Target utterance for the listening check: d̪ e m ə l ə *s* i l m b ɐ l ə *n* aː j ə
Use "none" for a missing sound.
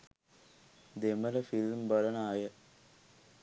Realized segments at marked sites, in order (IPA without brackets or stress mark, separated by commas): f, n